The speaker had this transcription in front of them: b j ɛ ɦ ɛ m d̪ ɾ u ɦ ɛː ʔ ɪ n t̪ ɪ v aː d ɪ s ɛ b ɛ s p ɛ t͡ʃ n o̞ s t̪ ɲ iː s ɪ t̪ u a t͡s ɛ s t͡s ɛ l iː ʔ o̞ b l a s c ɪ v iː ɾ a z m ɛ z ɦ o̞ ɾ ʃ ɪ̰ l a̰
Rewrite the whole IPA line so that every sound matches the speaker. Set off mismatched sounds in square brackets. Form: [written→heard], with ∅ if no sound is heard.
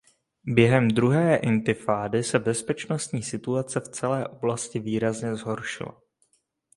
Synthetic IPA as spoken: b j ɛ ɦ ɛ m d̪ ɾ u ɦ ɛː ʔ ɪ n t̪ ɪ [v→f] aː d ɪ s ɛ b ɛ s p ɛ t͡ʃ n o̞ s t̪ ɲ iː s ɪ t̪ u a t͡s ɛ [s→f] t͡s ɛ l [iː→ɛː] ʔ o̞ b l a s c ɪ v iː ɾ a z [m→ɲ] ɛ z ɦ o̞ ɾ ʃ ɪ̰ l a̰

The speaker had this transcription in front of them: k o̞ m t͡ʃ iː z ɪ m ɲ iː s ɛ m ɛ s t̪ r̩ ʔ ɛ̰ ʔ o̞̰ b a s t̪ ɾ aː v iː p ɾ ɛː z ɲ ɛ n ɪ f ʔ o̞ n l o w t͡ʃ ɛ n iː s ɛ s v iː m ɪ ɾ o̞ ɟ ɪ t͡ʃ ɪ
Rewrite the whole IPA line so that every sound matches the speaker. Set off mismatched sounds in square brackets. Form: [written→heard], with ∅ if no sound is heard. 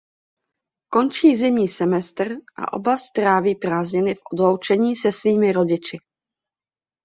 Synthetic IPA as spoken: k o̞ [m→n] t͡ʃ iː z ɪ m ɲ iː s ɛ m ɛ s t̪ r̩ ʔ [ɛ̰→a̰] ʔ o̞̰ b a s t̪ ɾ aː v iː p ɾ [ɛː→aː] z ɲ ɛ n ɪ f ʔ o̞ [n→d] l o w t͡ʃ ɛ [n→ɲ] iː s ɛ s v iː m ɪ ɾ o̞ ɟ ɪ t͡ʃ ɪ

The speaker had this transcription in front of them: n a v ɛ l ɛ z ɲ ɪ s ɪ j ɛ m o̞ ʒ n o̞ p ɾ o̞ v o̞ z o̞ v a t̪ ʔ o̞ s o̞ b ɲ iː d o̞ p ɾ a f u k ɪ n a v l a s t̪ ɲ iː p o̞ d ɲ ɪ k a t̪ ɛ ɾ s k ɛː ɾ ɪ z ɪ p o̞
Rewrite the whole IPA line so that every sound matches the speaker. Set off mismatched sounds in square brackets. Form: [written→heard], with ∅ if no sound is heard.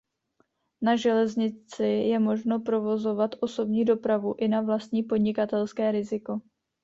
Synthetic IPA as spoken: n a [v→ʒ] ɛ l ɛ z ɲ ɪ [s→t͡s] ɪ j ɛ m o̞ ʒ n o̞ p ɾ o̞ v o̞ z o̞ v a t̪ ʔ o̞ s o̞ b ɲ iː d o̞ p ɾ a [f→v] u [k→ʔ] ɪ n a v l a s t̪ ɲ iː p o̞ d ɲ ɪ k a t̪ ɛ [ɾ→l] s k ɛː ɾ ɪ z ɪ [p→k] o̞

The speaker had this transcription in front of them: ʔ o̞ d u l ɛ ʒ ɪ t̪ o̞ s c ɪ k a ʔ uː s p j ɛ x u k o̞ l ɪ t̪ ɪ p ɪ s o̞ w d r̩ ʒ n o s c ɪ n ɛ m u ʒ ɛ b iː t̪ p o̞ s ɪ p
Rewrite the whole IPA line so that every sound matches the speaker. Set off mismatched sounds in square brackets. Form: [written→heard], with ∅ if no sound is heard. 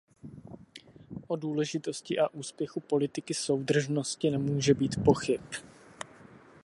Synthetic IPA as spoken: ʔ o̞ d [u→uː] l ɛ ʒ ɪ t̪ o̞ s c ɪ [k→ʔ] a ʔ uː s p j ɛ x u [k→p] o̞ l ɪ t̪ ɪ [p→k] ɪ s o̞ w d r̩ ʒ n o s c ɪ n ɛ m [u→uː] ʒ ɛ b iː t̪ p o̞ [s→x] ɪ p

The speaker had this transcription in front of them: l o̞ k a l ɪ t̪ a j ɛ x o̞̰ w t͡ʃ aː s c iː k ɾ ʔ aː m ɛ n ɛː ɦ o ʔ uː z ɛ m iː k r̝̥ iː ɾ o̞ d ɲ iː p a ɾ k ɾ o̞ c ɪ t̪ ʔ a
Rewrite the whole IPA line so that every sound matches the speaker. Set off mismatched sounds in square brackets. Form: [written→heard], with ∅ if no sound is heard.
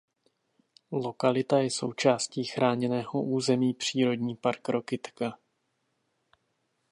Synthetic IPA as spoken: l o̞ k a l ɪ t̪ a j ɛ [x→s] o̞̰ w t͡ʃ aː s c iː [k→x] ɾ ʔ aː [m→ɲ] ɛ n ɛː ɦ o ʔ uː z ɛ m iː [k→p] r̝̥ iː ɾ o̞ d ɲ iː p a ɾ k ɾ o̞ [c→k] ɪ t̪ [ʔ→k] a

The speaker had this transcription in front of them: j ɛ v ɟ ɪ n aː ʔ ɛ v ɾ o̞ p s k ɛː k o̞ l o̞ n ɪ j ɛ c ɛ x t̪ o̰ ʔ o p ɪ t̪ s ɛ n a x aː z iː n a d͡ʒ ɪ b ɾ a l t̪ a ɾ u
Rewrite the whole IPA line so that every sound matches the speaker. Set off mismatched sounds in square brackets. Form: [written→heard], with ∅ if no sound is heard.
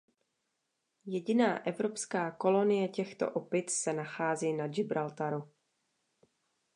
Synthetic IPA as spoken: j ɛ [v→∅] ɟ ɪ n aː ʔ ɛ v ɾ o̞ p s k [ɛː→aː] k o̞ l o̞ n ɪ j ɛ c ɛ x t̪ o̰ ʔ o p ɪ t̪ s ɛ n a x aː z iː n a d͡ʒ ɪ b ɾ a l t̪ a ɾ u

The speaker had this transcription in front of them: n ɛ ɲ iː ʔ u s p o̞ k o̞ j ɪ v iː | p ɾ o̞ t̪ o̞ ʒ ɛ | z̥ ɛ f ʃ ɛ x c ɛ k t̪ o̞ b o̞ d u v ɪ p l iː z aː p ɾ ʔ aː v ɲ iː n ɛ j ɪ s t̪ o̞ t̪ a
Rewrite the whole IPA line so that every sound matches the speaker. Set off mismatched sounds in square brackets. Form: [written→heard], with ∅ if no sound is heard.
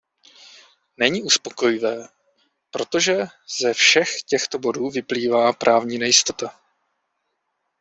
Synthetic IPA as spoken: n ɛ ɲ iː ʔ u s p o̞ k o̞ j ɪ v [iː→ɛː] | p ɾ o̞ t̪ o̞ ʒ ɛ | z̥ ɛ f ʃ ɛ x c ɛ [k→x] t̪ o̞ b o̞ d [u→uː] v ɪ p l iː [z→v] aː p ɾ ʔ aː v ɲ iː n ɛ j ɪ s t̪ o̞ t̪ a

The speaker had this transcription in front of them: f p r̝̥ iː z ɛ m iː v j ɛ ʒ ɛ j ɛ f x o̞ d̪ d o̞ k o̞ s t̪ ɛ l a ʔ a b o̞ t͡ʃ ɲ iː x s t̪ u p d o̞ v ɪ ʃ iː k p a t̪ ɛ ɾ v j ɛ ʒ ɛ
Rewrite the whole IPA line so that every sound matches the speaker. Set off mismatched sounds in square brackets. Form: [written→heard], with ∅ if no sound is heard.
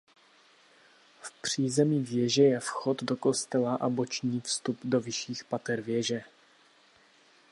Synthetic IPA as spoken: f p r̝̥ iː z ɛ m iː v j ɛ ʒ ɛ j ɛ f x o̞ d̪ d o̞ k o̞ s t̪ ɛ l a ʔ a b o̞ t͡ʃ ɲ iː [x→f] s t̪ u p d o̞ v ɪ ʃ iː [k→x] p a t̪ ɛ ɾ v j ɛ ʒ ɛ

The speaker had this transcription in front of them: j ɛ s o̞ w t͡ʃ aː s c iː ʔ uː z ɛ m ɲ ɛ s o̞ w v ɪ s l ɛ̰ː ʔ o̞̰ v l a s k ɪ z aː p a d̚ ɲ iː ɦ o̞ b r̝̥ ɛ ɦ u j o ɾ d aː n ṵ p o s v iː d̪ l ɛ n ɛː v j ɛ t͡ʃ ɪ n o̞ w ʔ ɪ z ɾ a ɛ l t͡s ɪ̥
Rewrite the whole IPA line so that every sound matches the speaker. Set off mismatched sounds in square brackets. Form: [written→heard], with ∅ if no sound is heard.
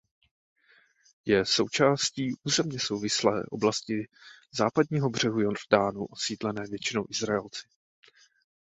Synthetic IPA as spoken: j ɛ s o̞ w t͡ʃ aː s c iː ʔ uː z ɛ m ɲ ɛ s o̞ w v ɪ s l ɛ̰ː ʔ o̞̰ [v→b] l a s [k→c] ɪ z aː p a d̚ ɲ iː ɦ o̞ b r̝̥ ɛ ɦ u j o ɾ d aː n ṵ [p→ʔ] o s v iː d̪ l ɛ n ɛː v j ɛ t͡ʃ ɪ n o̞ w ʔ ɪ z ɾ a ɛ l t͡s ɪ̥

